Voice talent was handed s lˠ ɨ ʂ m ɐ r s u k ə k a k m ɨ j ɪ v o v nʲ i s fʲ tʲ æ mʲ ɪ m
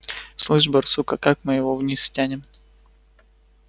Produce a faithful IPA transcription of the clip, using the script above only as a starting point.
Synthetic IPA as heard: s lˠ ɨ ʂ b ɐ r s u k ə k a k m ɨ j ɪ v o v nʲ i s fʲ tʲ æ nʲ ɪ m